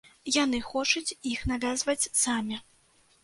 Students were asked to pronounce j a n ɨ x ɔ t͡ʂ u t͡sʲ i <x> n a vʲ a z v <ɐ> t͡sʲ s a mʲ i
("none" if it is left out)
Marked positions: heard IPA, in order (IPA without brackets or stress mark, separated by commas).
x, ɐ